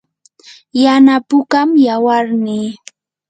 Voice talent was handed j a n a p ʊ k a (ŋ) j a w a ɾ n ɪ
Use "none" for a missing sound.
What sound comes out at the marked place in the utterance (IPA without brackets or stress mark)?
m